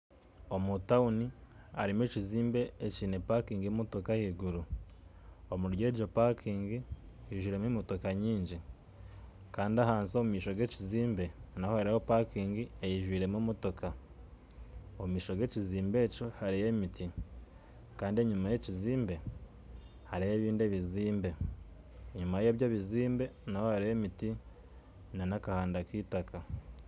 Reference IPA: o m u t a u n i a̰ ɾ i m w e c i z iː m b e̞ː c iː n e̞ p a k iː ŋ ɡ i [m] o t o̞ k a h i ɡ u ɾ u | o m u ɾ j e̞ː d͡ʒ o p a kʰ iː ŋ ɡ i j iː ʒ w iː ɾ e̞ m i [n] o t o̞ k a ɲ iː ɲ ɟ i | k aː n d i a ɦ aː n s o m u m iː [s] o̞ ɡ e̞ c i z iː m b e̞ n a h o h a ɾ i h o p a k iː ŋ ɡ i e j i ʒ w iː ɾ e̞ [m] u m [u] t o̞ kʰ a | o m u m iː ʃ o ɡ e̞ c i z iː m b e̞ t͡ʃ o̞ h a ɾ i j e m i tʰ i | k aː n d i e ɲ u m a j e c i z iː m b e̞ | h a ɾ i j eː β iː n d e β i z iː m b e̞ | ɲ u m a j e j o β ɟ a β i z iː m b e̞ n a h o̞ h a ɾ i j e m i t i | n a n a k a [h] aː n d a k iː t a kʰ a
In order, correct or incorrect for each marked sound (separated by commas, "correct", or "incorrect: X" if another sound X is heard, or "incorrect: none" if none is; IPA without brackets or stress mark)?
correct, incorrect: m, incorrect: ʃ, correct, incorrect: o, correct